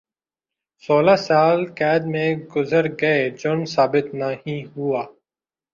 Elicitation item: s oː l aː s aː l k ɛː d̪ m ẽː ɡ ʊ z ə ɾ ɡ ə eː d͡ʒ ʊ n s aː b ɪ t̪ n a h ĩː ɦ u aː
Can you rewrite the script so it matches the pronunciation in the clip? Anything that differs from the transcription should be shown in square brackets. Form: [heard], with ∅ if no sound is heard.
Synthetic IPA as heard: s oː l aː s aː l k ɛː d̪ m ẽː ɡ ʊ z ə ɾ ɡ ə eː d͡ʒ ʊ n s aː b ɪ t̪ n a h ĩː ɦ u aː